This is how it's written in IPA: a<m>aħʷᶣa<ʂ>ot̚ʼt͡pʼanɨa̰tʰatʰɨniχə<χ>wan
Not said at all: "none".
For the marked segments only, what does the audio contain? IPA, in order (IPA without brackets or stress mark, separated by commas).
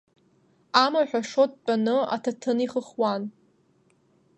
m, ʂ, χ